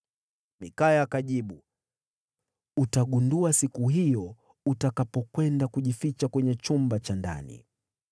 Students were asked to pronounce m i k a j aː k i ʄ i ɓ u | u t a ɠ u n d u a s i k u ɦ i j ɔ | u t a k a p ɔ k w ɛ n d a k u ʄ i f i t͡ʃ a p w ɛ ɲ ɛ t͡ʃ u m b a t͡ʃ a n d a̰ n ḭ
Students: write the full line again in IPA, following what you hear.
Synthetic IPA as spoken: m i k a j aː k a ʄ i ɓ u | u t a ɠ u n d u a s i k u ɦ i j ɔ | u t a k a p ɔ k w ɛ n d a k u ʄ i f i t͡ʃ a k w ɛ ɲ ɛ t͡ʃ u m b a t͡ʃ a n d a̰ n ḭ

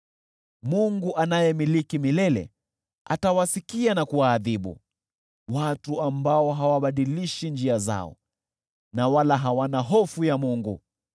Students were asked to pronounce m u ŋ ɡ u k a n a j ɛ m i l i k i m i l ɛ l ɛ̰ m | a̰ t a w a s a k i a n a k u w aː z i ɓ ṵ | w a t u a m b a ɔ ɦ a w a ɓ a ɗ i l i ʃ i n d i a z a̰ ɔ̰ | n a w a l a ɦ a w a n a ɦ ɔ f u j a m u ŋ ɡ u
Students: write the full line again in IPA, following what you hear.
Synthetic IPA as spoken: m u ŋ ɡ u ʔ a n a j ɛ m i l i k i m i l ɛ l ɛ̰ | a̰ t a w a s i k i a n a k u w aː ð i ɓ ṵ | w a t u a m b a ɔ ɦ a w a ɓ a ɗ i l i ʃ i n d͡ʒ i a z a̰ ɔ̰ | n a w a l a ɦ a w a n a ɦ ɔ f u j a m u ŋ ɡ u

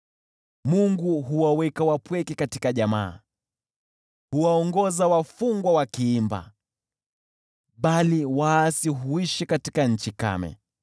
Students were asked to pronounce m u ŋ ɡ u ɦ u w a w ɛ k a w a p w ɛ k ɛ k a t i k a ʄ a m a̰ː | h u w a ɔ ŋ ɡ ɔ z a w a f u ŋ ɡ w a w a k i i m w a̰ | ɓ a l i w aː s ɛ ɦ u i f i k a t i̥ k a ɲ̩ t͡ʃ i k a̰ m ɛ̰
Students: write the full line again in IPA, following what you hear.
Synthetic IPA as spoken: m u ŋ ɡ u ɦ u w a w ɛ k a w a p w ɛ k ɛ k a t i k a ʄ a m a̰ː | h u w a ɔ ŋ ɡ ɔ z a w a f u ŋ ɡ w a w a k i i m b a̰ | ɓ a l i w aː s i ɦ u i ʃ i k a t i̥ k a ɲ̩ t͡ʃ i k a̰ m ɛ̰

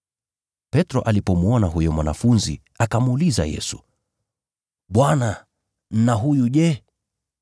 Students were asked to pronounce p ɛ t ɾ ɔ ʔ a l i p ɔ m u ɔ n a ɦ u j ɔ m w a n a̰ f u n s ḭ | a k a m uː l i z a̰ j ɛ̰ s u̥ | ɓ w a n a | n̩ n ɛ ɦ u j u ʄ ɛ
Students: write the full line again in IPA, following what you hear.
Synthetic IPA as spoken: p ɛ t ɾ ɔ ʔ a l i p ɔ m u ɔ n a ɦ u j ɔ m w a n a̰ f u n z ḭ | a k a m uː l i z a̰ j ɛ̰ s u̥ | ɓ w a n a | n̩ n a ɦ u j u ʄ ɛ

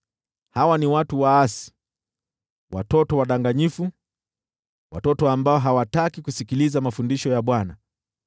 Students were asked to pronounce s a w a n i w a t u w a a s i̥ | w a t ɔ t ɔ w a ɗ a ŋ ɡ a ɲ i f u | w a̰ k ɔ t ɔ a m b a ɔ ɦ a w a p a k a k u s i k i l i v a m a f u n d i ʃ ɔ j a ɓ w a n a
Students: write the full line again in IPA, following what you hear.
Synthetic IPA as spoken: h a w a n i w a t u w a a s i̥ | w a t ɔ t ɔ w a ɗ a ŋ ɡ a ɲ i f u | w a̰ t ɔ t ɔ a m b a ɔ ɦ a w a t a k i k u s i k i l i z a m a f u n d i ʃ ɔ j a ɓ w a n a

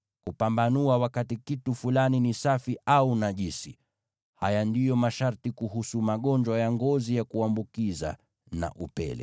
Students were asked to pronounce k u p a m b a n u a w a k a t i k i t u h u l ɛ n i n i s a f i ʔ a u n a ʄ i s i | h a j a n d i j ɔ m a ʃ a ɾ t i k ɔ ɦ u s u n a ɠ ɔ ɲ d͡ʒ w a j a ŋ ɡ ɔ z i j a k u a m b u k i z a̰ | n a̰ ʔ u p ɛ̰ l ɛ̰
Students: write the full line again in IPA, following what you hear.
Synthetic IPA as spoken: k u p a m b a n u a w a k a t i k i t u f u l a n i n i s a f i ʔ a u n a ʄ i s i | h a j a n d i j ɔ m a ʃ a ɾ t i k u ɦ u s u m a ɠ ɔ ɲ d͡ʒ w a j a ŋ ɡ ɔ z i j a k u a m b u k i z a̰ | n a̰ ʔ u p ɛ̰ l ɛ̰

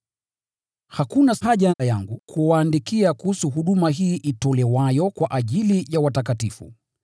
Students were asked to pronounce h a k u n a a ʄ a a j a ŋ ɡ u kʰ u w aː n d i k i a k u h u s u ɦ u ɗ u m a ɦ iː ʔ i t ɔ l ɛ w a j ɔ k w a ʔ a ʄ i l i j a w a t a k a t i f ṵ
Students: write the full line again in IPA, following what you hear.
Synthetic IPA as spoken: h a k u n a a ʄ a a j a ŋ ɡ u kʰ u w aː n d i k i a k u h u s u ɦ u ɗ u m a ɦ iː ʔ i t ɔ l ɛ w a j ɔ k w a ʔ a ʄ i l i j a w a t a k a t i f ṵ

